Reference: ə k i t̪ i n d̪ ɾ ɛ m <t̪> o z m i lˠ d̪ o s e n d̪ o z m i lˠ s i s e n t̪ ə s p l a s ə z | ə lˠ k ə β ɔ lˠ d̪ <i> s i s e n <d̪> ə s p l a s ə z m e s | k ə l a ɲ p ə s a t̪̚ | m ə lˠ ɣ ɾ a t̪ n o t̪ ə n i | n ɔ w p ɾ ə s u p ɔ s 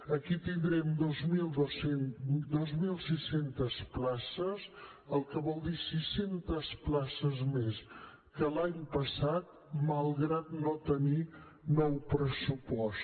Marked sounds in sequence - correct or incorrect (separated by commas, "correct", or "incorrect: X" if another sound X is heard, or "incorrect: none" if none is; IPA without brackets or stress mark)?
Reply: incorrect: d̪, correct, incorrect: t̪